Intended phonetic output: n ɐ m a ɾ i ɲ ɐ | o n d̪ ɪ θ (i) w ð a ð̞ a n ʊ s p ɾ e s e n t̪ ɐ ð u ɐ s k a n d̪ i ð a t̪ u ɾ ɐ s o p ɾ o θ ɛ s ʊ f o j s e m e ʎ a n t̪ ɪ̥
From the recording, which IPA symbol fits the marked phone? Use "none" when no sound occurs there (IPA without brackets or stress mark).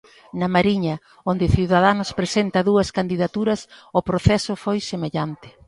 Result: i